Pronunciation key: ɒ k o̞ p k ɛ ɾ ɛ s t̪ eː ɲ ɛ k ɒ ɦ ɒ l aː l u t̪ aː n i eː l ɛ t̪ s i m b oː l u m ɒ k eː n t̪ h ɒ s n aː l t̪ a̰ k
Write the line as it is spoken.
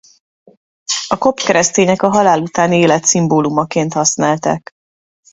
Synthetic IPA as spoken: ɒ k o̞ p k ɛ ɾ ɛ s t̪ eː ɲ ɛ k ɒ ɦ ɒ l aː l u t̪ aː n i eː l ɛ t̪ s i m b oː l u m ɒ k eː n t̪ h ɒ s n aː l t̪ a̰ k